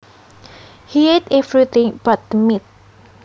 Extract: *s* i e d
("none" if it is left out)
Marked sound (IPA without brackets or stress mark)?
h